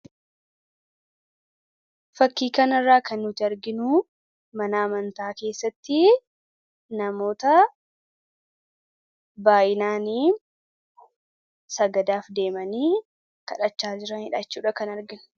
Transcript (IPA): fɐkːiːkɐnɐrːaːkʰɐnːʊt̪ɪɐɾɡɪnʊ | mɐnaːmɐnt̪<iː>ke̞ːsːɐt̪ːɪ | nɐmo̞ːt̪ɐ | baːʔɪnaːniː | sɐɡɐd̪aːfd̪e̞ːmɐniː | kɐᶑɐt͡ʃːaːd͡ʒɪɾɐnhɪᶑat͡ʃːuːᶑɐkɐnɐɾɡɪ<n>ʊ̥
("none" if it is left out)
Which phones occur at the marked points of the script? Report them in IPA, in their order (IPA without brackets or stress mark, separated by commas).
aː, n